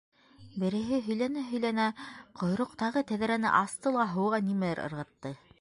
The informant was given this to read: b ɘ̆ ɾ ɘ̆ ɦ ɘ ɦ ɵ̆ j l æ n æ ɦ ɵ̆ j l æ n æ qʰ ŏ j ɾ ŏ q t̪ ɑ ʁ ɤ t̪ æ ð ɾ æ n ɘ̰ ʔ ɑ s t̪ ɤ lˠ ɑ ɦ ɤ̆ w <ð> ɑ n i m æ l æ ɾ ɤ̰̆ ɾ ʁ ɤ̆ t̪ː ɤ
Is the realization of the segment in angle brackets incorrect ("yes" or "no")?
yes